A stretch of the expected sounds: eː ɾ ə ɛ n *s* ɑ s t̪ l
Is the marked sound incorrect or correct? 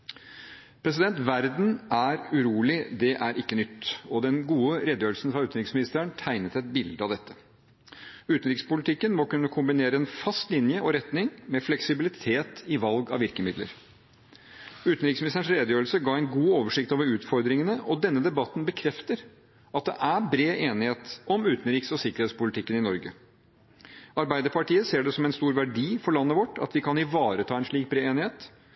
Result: incorrect: f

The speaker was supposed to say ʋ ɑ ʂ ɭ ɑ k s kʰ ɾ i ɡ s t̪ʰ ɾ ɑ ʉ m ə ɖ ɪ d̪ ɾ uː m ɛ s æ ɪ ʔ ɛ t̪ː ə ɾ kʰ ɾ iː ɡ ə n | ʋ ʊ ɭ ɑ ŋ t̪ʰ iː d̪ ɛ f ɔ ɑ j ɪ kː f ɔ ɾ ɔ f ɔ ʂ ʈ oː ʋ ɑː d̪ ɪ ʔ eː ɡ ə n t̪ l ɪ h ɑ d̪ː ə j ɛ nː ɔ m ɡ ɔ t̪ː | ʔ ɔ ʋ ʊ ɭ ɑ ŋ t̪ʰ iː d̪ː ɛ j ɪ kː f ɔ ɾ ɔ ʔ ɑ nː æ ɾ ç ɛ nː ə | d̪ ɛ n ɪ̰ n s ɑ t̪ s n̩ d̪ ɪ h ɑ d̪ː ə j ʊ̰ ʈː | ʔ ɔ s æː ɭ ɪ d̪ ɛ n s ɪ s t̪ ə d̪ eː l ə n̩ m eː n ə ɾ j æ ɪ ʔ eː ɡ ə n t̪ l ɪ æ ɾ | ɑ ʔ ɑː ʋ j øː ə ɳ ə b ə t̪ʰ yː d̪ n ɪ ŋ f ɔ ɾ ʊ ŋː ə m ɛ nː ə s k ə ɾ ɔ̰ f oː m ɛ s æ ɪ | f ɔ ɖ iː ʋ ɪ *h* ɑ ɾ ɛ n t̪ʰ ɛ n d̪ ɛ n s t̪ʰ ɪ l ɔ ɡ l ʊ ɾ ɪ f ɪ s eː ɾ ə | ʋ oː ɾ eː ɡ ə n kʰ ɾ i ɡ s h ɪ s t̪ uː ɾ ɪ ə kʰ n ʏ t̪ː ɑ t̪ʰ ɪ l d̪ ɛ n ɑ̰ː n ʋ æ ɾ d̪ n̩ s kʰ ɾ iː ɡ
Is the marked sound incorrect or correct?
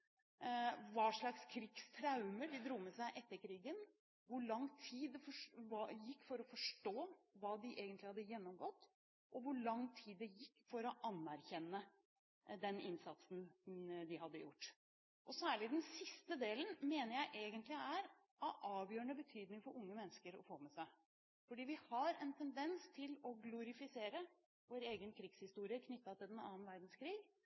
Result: correct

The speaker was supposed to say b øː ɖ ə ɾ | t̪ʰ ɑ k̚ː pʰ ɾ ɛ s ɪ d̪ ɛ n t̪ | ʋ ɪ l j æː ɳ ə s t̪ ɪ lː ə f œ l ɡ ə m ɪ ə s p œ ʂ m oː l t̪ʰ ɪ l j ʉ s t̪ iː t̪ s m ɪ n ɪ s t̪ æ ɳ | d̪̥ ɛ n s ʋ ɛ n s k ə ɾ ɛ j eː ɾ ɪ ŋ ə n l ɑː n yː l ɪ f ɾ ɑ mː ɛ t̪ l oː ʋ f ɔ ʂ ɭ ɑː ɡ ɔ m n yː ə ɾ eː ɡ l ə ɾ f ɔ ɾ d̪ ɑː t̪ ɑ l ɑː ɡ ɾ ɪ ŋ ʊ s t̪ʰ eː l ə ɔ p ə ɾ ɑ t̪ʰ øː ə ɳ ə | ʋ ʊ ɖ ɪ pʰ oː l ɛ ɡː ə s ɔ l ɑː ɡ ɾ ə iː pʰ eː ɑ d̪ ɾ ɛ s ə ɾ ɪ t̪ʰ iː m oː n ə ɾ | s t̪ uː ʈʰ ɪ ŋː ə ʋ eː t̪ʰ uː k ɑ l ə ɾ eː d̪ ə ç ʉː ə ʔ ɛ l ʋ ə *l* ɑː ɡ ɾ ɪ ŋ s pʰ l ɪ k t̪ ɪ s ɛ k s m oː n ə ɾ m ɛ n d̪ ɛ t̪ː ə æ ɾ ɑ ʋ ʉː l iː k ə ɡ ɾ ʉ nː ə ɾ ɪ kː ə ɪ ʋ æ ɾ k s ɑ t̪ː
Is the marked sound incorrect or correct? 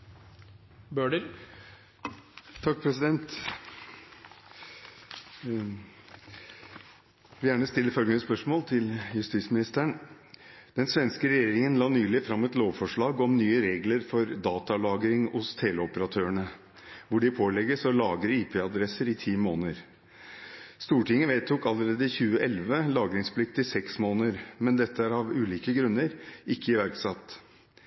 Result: correct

